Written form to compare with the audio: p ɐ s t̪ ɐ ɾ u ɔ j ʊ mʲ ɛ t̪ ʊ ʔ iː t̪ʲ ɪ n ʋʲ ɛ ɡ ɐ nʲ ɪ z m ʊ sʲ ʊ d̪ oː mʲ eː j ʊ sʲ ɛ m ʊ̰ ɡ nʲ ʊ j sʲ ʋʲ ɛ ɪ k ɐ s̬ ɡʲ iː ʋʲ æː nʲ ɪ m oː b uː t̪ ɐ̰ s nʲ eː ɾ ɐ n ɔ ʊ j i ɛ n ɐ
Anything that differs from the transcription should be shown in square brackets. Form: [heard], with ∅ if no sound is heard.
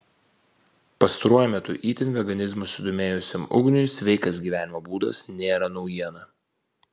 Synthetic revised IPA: p ɐ s t̪ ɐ ɾ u ɔ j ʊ mʲ ɛ t̪ ʊ ʔ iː t̪ʲ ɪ n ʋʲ ɛ ɡ ɐ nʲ ɪ z m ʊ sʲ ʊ d̪ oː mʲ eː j ʊ sʲ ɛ m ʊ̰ ɡ nʲ ʊ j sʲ ʋʲ ɛ ɪ k ɐ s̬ ɡʲ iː ʋʲ æː nʲ ɪ m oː b uː [d̪] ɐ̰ s nʲ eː ɾ ɐ n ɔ ʊ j i ɛ n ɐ